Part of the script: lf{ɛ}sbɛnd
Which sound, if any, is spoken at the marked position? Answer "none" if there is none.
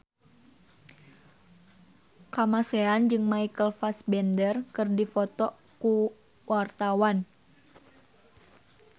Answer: a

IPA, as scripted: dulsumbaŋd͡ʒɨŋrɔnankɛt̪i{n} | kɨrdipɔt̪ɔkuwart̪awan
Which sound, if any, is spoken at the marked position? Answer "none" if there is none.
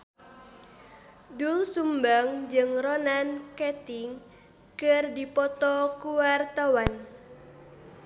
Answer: ŋ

